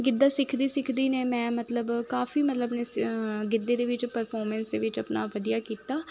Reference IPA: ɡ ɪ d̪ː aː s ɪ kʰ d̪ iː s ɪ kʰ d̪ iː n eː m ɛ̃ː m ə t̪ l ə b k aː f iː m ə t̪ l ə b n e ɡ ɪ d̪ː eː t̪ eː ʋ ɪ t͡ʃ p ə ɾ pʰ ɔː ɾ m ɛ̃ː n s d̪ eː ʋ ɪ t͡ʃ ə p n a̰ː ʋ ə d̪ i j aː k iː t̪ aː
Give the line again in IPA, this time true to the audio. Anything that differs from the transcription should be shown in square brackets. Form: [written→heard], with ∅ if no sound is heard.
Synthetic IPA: ɡ ɪ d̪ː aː s ɪ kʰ d̪ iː s ɪ kʰ d̪ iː n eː m ɛ̃ː m ə t̪ l ə b k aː f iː m ə t̪ l ə b n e ɡ ɪ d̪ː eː [t̪→d̪] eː ʋ ɪ t͡ʃ p ə ɾ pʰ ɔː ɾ m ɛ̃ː n s d̪ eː ʋ ɪ t͡ʃ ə p n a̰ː ʋ ə d̪ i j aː k iː t̪ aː

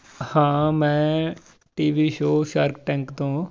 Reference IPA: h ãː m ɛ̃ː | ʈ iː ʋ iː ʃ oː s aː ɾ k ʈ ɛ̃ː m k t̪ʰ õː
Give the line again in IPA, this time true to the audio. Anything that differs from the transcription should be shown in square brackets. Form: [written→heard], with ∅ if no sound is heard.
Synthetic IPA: h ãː m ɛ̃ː | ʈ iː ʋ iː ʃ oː [s→ʃ] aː ɾ k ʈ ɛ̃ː [m→ŋ] k [t̪ʰ→t̪] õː

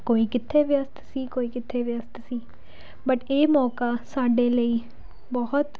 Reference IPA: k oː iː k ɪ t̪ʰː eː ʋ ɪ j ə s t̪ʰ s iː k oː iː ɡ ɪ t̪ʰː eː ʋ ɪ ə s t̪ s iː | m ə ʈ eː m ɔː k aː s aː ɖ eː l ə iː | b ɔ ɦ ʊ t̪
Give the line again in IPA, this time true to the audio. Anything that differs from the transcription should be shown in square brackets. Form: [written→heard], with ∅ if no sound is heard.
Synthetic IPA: k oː iː k ɪ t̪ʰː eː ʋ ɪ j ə s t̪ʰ s iː k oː iː [ɡ→k] ɪ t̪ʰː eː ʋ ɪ ə s t̪ s iː | [m→b] ə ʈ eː m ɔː k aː s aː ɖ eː l ə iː | b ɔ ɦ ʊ t̪

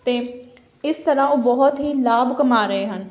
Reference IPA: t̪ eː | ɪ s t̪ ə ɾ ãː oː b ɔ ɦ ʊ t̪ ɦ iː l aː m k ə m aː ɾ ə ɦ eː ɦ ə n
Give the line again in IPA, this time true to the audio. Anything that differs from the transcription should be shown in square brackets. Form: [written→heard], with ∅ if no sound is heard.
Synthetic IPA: t̪ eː | ɪ s t̪ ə ɾ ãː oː b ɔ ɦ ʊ t̪ ɦ iː l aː [m→b] k ə m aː ɾ ə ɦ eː ɦ ə n

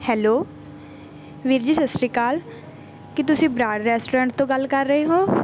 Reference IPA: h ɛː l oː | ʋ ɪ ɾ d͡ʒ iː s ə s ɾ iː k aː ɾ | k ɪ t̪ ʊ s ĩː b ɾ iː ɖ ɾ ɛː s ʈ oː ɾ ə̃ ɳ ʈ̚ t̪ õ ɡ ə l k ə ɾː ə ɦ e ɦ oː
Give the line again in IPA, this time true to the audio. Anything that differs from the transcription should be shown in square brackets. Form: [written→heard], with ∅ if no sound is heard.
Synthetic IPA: h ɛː l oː | ʋ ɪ ɾ d͡ʒ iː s ə s ɾ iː k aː [ɾ→l] | k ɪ t̪ ʊ s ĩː b ɾ [iː→aː] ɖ ɾ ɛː s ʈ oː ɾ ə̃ ɳ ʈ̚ t̪ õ ɡ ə l k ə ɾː ə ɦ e ɦ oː

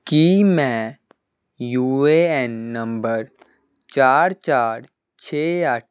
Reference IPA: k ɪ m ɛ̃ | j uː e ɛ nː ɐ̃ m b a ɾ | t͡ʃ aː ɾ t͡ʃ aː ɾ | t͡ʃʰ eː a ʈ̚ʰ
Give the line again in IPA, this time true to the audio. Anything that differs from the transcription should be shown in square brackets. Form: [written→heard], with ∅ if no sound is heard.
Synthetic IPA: k [ɪ→i] m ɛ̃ | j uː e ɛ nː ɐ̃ m b [a→ə] ɾ | t͡ʃ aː ɾ t͡ʃ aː ɾ | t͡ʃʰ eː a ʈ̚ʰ

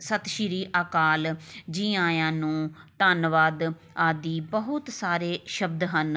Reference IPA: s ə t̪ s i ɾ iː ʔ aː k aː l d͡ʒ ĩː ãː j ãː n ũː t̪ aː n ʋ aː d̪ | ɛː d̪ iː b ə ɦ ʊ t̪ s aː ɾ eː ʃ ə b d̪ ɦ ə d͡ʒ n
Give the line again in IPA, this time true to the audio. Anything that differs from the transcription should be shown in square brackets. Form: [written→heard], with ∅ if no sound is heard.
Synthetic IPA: s ə t̪ [s→ʃ] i ɾ iː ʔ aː k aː l d͡ʒ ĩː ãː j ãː n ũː t̪ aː n ʋ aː d̪ | [ɛː→aː] d̪ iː b ə ɦ ʊ t̪ s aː ɾ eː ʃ ə b d̪ ɦ ə [d͡ʒ→∅] n

